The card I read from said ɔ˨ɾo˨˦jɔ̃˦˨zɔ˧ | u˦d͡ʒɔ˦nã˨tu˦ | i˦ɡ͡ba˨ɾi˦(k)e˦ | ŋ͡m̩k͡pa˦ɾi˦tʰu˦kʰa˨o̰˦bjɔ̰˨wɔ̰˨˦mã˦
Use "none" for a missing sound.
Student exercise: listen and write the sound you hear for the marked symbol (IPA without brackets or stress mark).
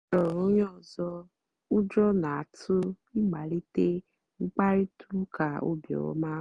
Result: t